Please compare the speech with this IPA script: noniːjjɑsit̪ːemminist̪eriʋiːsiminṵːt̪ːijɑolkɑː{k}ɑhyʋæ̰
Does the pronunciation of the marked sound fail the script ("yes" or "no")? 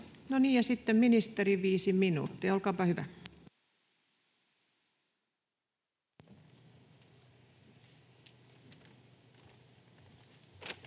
yes